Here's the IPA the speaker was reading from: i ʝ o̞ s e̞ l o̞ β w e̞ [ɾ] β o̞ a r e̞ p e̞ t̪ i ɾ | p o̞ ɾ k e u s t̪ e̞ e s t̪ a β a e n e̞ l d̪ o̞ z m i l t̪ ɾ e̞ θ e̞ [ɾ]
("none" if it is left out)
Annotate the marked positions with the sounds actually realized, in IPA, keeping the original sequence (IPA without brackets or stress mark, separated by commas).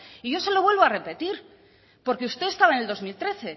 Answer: l, none